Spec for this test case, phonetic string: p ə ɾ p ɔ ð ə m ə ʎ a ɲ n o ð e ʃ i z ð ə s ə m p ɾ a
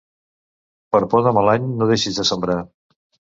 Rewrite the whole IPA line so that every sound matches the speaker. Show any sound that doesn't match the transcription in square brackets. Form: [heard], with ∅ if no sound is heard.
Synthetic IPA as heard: p ə ɾ p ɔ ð ə m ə [l] a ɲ n o ð e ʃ i z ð ə s ə m [b] ɾ a